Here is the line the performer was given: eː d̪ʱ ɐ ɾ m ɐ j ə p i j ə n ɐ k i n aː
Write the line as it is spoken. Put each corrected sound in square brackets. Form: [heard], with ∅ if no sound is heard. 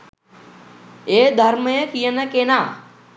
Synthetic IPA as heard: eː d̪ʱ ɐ ɾ m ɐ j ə [k] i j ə n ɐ k [e] n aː